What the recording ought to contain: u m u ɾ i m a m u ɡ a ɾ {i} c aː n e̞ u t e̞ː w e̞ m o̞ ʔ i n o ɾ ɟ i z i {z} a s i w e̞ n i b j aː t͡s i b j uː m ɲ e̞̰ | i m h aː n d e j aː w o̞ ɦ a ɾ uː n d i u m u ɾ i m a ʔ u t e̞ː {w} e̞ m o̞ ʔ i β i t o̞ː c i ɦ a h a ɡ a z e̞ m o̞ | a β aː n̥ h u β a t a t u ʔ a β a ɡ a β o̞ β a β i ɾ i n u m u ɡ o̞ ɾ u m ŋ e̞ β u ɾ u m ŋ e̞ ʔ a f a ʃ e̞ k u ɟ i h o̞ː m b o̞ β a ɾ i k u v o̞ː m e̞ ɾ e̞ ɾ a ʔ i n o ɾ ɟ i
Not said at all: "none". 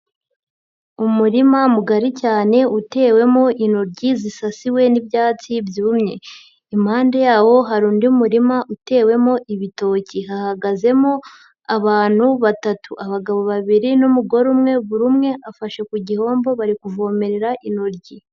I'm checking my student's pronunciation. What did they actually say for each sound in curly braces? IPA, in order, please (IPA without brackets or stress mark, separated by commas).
i, s, w